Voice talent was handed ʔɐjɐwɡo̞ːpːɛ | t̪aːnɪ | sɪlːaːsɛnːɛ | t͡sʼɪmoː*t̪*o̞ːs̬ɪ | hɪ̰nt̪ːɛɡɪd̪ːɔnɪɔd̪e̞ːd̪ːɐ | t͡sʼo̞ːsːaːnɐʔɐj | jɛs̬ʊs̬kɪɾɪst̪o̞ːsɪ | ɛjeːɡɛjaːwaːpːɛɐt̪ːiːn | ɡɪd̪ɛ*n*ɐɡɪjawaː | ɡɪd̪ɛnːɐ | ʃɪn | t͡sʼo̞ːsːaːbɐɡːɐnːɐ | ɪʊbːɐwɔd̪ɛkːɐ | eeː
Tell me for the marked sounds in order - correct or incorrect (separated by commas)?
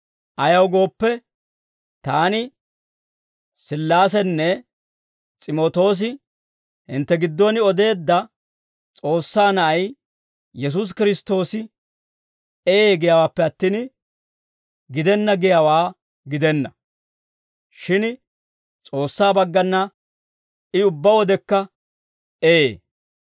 correct, incorrect